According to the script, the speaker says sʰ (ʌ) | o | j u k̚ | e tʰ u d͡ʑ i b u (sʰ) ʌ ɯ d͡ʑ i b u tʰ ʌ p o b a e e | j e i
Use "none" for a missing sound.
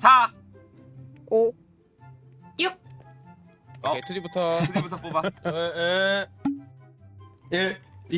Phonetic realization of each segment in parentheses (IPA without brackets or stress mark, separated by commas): a, tʰ